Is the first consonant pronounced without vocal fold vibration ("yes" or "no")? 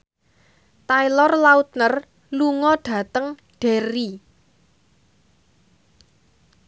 yes